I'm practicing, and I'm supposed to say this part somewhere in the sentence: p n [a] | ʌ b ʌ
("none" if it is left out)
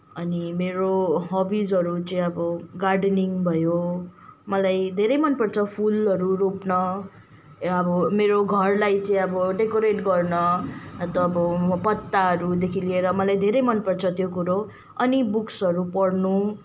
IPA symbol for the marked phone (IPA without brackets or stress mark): ʌ